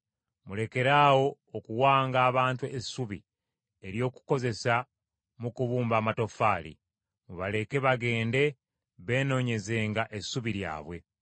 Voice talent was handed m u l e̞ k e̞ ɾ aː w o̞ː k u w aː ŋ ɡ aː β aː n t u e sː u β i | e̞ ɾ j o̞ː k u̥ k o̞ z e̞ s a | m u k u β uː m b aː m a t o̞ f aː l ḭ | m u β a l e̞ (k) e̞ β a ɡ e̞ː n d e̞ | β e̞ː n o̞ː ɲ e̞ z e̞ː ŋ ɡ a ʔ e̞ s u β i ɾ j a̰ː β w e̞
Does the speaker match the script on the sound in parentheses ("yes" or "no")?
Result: yes